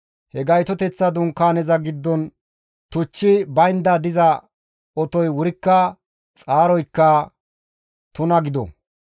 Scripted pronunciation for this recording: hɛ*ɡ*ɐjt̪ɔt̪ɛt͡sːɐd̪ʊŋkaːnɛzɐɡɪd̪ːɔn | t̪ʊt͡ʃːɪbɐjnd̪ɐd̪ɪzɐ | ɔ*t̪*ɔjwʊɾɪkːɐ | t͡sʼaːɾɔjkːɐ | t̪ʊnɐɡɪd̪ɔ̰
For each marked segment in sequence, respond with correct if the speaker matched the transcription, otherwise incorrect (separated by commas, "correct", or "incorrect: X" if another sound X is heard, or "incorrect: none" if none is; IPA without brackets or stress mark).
correct, correct